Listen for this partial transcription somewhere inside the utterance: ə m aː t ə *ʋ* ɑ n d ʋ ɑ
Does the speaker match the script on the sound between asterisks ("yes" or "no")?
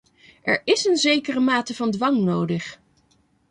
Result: no